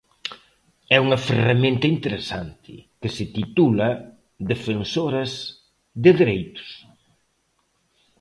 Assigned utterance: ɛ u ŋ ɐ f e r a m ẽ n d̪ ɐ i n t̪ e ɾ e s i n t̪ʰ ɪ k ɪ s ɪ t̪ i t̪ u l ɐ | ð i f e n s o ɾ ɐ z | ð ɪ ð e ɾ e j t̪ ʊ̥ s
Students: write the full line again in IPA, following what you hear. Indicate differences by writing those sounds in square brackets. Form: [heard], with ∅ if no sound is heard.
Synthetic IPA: ɛ u ŋ ɐ f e r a m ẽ n [t̪] ɐ i n t̪ e ɾ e s [a] n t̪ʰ ɪ k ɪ s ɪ t̪ i t̪ u l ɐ | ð [e] f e n s o ɾ ɐ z | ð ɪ ð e ɾ e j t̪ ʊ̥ s